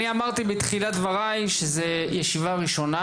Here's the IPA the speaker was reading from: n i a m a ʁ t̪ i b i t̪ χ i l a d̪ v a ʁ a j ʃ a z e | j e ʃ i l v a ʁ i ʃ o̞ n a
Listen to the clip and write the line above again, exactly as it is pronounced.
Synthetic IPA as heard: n i a m a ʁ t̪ i b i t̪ χ i l a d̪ v a ʁ a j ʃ e z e | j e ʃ i v a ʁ i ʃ o̞ n a